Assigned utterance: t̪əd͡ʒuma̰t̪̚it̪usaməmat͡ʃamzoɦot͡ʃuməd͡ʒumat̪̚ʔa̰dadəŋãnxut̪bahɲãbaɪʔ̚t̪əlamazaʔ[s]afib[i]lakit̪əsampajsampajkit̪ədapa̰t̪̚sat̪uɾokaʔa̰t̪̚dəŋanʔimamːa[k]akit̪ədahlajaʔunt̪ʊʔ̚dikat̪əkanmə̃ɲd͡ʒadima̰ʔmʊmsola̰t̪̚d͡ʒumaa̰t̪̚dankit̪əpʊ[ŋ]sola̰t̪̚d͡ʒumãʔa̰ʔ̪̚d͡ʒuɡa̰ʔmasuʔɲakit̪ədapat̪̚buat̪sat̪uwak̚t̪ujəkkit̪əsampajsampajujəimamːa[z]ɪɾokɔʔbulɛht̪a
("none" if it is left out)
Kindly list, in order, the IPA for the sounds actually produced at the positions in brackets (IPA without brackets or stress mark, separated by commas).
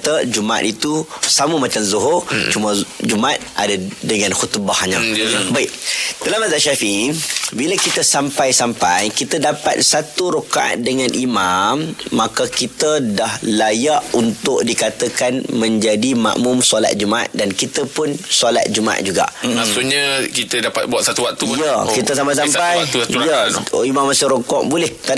ʃ, i, k, n, s